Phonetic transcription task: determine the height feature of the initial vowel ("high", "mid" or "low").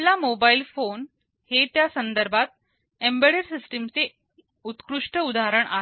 low